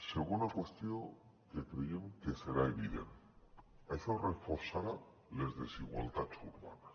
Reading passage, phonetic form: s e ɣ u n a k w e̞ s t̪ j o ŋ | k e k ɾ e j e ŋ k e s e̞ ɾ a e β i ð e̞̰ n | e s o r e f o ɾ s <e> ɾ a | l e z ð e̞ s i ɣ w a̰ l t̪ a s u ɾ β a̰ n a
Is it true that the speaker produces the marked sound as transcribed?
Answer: no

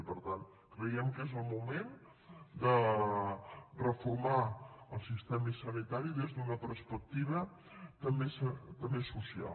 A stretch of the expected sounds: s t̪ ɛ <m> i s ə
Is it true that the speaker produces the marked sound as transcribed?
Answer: yes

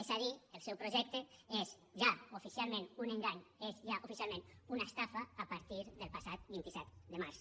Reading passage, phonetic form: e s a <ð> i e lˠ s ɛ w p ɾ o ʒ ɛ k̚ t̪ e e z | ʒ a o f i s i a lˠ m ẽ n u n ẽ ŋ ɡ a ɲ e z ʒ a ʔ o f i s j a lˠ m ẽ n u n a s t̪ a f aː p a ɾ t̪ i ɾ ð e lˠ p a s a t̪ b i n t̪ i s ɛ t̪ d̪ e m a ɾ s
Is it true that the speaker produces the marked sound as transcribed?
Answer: yes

